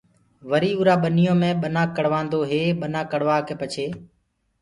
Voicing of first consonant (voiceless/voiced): voiced